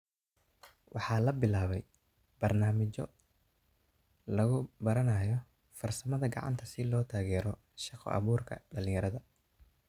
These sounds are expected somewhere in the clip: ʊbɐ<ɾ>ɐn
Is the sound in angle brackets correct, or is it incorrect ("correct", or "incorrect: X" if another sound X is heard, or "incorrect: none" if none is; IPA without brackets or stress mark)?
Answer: correct